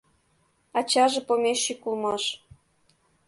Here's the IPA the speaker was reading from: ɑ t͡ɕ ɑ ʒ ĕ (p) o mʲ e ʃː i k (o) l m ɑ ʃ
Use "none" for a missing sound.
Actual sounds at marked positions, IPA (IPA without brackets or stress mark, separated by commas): p, u